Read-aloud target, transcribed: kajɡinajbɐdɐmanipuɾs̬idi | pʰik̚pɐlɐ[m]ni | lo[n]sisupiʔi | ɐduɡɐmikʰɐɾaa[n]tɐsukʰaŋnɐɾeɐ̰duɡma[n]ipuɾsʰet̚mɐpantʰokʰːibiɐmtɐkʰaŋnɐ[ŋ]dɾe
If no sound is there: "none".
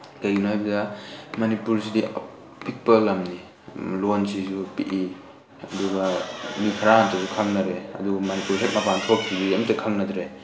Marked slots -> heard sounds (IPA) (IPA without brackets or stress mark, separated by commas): m, n, n, n, none